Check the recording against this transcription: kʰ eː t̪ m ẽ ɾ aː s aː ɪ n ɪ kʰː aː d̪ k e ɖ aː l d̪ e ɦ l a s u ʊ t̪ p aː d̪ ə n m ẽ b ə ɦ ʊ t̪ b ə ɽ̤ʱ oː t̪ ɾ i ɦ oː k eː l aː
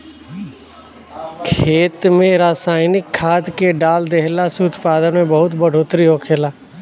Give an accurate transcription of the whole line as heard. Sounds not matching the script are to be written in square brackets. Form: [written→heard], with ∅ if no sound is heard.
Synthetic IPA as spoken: kʰ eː t̪ m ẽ ɾ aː s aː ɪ n ɪ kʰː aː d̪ k e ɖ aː l d̪ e ɦ l a s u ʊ t̪ p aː d̪ ə n m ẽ b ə ɦ ʊ t̪ b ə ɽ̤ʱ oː t̪ ɾ i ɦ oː [k→kʰ] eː l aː